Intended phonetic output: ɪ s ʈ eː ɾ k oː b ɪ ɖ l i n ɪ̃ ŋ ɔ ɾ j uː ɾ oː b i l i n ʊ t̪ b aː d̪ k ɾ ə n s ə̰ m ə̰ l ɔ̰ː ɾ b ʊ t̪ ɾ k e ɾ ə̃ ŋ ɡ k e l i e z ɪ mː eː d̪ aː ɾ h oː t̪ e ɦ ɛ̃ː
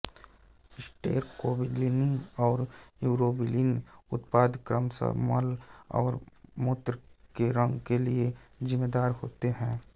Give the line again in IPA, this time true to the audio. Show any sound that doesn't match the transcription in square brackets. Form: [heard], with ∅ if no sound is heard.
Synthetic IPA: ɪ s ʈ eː ɾ k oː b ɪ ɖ l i n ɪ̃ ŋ [ɔː] ɾ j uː ɾ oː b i l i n ʊ t̪ [p] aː d̪ k ɾ ə [m] s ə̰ m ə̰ l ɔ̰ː ɾ [m] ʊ t̪ ɾ k e ɾ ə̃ ŋ ɡ k e l i e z ɪ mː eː d̪ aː ɾ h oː t̪ e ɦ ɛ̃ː